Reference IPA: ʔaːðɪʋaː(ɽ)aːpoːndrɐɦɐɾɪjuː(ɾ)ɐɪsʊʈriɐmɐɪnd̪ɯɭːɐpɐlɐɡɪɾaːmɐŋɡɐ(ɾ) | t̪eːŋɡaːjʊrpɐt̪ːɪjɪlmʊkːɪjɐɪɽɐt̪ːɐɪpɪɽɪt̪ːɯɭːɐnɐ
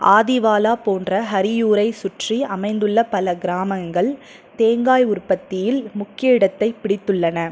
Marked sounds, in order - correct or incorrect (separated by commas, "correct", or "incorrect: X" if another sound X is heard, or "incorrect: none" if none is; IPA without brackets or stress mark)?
incorrect: l, correct, incorrect: ɭ